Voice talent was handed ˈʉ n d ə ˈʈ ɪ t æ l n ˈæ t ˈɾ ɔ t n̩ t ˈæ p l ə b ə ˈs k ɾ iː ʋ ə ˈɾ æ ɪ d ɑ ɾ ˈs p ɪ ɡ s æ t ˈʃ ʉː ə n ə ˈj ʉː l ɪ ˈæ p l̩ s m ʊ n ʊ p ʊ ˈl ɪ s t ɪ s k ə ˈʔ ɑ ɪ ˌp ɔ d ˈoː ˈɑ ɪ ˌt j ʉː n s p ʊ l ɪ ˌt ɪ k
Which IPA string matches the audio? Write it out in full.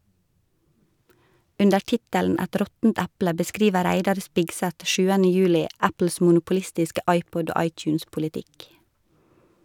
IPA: ˈʉ n d ə ˈʈ ɪ t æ l n ˈæ t ˈɾ ɔ t n̩ t ˈæ p l ə b ə ˈs k ɾ iː ʋ ə ˈɾ æ ɪ d ɑ ɾ ˈs p ɪ ɡ s æ t ˈʃ ʉː ə n ə ˈj ʉː l ɪ ˈæ p l̩ s m ʊ n ʊ p ʊ ˈl ɪ s t ɪ s k ə ˈʔ ɑ ɪ ˌp ɔ d ˈoː ˈɑ ɪ ˌt j ʉː n s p ʊ l ɪ ˌt ɪ k